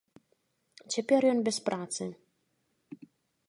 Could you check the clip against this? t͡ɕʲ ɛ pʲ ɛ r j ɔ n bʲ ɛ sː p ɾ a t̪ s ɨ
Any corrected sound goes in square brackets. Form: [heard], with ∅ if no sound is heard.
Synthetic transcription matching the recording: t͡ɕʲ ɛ pʲ ɛ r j ɔ n bʲ ɛ [s] p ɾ a t̪ s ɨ